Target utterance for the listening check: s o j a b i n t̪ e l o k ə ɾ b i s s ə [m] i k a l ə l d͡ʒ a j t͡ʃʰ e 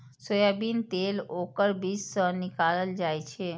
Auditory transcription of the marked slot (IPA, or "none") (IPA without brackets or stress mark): n